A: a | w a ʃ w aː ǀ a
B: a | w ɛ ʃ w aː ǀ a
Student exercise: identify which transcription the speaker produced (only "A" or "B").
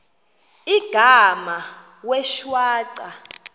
B